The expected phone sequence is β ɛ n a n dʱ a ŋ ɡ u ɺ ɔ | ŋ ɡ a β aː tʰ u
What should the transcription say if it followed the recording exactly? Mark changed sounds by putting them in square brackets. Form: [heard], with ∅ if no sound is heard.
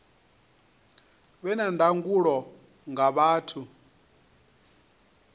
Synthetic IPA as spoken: β ɛ n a n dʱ a ŋ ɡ u ɺ ɔ | ŋ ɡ a β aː tʰ u

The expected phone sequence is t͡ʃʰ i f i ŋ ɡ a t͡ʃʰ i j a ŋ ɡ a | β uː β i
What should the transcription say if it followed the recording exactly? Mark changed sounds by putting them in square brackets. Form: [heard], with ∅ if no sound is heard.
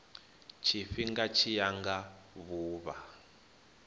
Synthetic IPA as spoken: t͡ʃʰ i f i ŋ ɡ a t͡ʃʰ i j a ŋ ɡ a | β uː β [a]

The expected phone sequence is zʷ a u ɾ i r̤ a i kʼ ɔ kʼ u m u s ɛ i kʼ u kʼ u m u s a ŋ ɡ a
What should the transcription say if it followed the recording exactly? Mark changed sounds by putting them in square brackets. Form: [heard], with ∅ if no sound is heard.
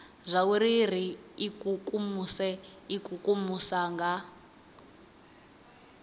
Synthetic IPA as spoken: zʷ a u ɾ i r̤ [i] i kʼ [u] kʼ u m u s ɛ i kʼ u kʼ u m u s a ŋ ɡ a

